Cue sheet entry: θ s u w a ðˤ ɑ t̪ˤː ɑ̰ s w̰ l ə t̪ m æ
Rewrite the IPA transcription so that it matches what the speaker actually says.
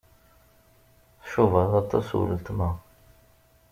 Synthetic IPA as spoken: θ ʃ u v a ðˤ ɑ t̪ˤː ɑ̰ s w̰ l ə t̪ m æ